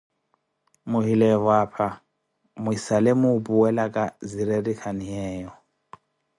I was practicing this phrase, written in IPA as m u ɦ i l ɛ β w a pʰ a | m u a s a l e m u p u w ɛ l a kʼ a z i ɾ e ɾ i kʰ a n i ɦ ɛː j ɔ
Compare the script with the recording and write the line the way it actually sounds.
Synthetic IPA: m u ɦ i l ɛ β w a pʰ a | m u i s a l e m u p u w ɛ l a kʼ a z i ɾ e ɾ i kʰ a n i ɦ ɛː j ɔ